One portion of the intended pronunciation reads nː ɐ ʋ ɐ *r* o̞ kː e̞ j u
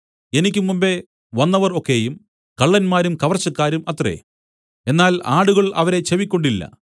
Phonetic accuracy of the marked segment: correct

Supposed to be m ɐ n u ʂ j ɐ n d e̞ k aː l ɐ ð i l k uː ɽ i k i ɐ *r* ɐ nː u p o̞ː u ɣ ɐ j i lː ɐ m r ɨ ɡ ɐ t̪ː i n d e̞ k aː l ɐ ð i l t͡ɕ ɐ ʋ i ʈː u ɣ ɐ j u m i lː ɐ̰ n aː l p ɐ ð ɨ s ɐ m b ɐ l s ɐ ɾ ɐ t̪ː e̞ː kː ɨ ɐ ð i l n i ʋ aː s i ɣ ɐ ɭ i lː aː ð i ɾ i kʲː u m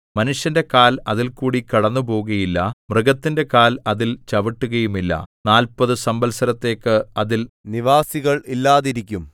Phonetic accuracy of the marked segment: incorrect: ɽ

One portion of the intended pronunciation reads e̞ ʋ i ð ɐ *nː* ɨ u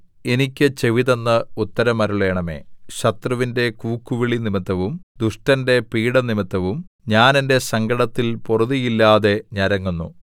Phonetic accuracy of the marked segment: correct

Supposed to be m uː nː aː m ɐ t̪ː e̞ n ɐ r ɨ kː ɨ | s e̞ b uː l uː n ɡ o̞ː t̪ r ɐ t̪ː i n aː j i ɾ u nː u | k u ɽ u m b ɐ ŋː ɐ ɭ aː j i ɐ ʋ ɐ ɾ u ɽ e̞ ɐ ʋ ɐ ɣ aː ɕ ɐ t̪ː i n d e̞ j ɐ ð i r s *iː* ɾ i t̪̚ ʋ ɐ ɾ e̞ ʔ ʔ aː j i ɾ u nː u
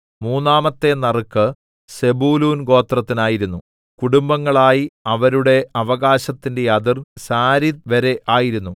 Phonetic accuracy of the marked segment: incorrect: aː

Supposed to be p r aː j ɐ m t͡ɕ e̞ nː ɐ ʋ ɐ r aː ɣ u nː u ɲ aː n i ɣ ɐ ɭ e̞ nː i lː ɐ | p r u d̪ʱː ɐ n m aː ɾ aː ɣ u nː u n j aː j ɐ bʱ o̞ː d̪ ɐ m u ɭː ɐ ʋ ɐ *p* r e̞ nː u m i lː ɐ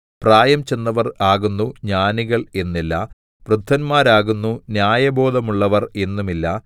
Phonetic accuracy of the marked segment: incorrect: none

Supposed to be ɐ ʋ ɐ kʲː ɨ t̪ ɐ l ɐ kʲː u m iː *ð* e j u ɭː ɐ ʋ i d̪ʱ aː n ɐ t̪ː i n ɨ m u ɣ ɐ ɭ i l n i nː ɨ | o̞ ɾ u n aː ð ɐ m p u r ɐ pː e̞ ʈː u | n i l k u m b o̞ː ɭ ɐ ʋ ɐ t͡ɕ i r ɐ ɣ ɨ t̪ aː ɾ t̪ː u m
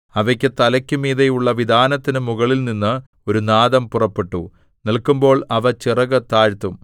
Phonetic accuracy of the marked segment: correct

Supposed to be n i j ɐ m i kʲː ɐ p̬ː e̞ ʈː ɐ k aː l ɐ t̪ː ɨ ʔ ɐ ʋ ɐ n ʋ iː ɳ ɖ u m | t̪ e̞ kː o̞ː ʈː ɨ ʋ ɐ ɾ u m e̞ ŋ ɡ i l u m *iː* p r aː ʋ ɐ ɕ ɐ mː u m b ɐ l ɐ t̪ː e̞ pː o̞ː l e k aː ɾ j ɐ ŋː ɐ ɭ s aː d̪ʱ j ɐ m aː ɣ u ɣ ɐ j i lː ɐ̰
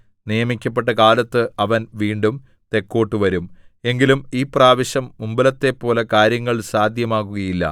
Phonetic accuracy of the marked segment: correct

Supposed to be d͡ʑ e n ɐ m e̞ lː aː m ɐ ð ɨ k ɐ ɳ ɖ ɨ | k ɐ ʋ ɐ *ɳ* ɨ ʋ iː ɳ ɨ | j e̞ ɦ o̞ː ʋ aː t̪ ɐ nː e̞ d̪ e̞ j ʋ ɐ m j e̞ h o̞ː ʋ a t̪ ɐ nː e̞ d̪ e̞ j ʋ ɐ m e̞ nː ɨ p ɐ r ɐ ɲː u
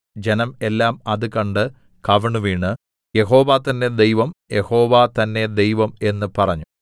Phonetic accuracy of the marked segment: correct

